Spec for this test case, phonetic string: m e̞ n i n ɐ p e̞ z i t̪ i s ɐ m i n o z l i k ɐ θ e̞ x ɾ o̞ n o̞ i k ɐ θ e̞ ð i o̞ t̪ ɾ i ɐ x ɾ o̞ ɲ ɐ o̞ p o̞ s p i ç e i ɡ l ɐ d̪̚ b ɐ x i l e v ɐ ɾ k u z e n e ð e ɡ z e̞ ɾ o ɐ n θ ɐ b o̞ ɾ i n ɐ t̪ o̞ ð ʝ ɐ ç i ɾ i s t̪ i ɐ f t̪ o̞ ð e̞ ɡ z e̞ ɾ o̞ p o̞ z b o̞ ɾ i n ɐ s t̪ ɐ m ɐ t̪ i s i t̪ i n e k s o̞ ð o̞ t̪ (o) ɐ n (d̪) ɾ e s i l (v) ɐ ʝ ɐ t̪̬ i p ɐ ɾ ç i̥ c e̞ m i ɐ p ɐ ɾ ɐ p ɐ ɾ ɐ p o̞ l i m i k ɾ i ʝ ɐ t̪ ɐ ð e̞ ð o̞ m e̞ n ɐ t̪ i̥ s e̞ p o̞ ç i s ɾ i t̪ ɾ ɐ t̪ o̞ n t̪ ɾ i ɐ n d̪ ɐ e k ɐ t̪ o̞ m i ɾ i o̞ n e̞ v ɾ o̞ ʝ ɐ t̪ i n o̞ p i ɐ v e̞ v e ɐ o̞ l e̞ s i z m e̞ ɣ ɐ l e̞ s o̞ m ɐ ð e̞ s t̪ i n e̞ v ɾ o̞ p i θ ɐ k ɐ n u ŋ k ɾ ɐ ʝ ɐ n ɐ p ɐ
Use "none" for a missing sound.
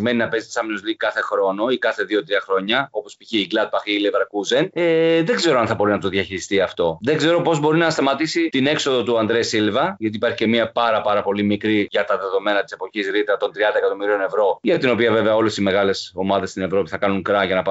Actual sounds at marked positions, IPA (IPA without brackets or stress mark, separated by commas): u, d̪, v